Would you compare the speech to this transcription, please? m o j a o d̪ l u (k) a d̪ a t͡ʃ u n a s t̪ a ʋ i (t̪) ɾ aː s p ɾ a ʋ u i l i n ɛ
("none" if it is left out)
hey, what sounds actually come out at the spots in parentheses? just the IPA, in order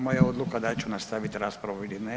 k, t̪

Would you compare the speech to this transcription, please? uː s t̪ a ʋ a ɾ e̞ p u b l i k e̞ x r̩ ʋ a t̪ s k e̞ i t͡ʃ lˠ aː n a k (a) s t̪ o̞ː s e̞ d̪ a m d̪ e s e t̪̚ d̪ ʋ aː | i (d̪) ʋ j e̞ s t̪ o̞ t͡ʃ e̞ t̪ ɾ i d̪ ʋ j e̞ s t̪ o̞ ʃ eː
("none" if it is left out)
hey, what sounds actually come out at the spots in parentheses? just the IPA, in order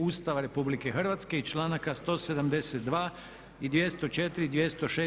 a, d̪

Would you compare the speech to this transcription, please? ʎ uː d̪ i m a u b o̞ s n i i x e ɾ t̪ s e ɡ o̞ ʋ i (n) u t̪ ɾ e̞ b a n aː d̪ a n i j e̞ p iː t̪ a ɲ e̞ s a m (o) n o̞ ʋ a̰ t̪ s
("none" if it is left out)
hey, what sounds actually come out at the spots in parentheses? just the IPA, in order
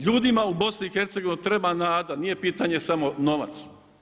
n, o

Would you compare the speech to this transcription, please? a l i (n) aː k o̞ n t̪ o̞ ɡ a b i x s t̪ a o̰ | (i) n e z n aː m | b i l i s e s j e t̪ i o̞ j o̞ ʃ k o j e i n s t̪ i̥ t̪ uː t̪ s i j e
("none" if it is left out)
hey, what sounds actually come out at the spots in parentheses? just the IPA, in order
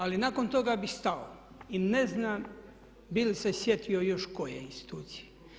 n, i

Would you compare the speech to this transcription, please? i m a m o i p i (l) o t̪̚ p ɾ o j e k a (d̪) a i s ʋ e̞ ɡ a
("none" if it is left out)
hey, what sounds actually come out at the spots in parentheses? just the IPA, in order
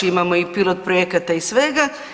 l, t̪

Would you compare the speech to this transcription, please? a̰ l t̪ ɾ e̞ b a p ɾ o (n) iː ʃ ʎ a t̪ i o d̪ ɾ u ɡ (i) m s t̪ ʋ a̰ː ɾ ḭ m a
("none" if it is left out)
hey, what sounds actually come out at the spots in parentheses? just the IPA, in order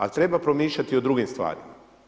m, i

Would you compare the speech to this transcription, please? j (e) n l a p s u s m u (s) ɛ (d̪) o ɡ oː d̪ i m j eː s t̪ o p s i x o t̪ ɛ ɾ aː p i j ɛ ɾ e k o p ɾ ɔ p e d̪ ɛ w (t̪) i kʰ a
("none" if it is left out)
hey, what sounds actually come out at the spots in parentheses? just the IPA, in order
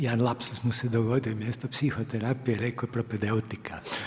a, s, d̪, t̪

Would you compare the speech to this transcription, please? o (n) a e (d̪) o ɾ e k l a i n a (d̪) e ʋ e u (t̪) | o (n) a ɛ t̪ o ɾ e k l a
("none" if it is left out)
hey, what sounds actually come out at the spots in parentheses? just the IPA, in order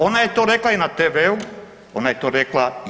n, t̪, t̪, none, n

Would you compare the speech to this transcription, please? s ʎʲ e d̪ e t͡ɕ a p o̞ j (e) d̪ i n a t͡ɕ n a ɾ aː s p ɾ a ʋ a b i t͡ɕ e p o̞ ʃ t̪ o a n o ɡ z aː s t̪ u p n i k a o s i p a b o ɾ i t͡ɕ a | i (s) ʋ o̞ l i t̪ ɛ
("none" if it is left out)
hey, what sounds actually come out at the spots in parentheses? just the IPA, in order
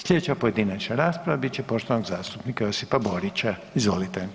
e, z

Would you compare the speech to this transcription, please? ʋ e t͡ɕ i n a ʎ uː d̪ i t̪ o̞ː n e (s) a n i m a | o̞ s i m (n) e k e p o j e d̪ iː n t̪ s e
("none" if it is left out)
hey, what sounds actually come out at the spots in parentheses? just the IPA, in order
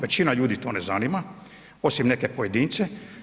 z, n

